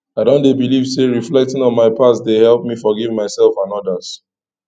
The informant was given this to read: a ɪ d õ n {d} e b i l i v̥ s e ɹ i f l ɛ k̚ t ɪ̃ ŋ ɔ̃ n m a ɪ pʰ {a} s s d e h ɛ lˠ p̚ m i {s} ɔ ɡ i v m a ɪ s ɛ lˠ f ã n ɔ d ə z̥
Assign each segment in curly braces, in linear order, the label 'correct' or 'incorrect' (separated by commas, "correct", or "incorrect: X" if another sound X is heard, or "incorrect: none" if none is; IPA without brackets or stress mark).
correct, correct, incorrect: f